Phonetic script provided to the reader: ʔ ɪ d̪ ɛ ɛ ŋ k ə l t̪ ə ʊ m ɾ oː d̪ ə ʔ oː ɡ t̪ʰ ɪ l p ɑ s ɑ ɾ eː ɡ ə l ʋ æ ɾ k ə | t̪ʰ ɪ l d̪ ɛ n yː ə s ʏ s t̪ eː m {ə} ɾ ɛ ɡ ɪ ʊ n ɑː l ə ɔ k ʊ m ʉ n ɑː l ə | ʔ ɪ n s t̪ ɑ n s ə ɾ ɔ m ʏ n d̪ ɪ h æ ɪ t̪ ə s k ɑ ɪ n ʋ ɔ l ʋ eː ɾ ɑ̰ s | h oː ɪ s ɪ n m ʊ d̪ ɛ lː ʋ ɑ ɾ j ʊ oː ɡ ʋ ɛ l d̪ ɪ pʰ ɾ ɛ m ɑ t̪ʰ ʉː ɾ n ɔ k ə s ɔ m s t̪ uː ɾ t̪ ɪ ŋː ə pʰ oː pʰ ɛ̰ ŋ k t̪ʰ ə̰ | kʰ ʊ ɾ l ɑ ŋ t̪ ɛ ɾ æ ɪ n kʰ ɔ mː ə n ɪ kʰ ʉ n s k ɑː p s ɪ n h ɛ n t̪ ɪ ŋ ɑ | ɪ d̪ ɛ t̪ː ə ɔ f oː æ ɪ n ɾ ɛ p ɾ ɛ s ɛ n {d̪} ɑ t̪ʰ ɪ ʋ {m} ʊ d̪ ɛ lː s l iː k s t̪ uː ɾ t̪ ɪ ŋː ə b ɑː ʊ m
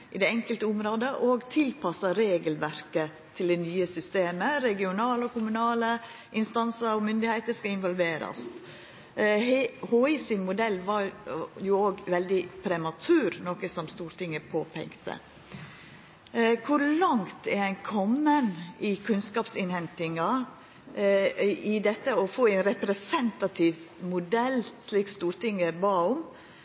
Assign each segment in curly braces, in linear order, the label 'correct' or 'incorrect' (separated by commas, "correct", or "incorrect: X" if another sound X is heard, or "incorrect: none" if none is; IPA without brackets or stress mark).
correct, incorrect: t̪, correct